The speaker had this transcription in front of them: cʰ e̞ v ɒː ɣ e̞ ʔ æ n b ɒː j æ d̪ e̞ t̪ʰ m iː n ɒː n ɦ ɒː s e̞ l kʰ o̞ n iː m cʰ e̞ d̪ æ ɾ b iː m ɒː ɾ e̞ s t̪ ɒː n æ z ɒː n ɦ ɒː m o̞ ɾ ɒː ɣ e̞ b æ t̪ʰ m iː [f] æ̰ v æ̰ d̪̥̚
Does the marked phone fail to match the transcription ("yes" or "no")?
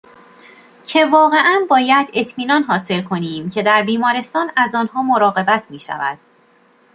yes